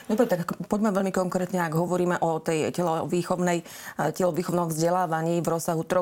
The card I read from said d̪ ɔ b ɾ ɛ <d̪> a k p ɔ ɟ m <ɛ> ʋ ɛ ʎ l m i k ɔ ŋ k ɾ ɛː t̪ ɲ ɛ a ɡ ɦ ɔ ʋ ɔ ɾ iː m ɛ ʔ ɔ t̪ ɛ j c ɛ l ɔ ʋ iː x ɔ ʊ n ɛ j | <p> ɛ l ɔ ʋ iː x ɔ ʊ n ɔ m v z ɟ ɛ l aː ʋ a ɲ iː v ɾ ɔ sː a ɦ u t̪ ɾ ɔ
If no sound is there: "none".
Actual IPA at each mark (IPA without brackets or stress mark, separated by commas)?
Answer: t̪, ɛ, c